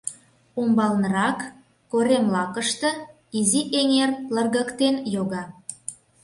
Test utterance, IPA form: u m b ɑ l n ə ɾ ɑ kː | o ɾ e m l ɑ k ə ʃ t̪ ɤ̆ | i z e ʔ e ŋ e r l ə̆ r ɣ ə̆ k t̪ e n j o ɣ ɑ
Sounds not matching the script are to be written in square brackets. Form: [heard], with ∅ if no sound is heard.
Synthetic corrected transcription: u m b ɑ l n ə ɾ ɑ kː | o ɾ e m l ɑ k ə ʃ t̪ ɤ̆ | i z [i] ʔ e ŋ e r l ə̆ r ɣ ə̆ k t̪ e n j o ɣ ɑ